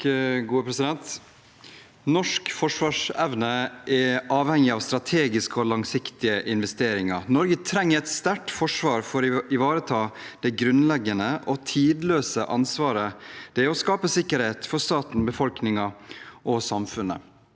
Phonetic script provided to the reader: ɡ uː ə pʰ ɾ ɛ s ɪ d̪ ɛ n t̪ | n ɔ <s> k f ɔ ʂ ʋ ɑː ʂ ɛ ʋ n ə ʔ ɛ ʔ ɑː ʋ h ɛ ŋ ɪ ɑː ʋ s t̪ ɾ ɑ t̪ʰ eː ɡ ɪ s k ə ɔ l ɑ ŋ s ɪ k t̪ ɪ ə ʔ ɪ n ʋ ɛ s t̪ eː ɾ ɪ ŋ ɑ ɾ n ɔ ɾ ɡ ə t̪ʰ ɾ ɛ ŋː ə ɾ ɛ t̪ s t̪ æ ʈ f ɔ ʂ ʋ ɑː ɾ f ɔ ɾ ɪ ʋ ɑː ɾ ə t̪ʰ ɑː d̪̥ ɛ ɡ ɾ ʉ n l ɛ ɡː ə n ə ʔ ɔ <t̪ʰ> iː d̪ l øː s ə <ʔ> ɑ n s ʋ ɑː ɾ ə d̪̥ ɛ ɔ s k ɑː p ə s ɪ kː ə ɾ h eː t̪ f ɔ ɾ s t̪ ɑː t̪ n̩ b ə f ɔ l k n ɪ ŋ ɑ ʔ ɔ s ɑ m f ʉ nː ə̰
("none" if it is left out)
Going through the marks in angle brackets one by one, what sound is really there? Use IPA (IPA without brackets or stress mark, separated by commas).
ʂ, t̪ʰ, ʔ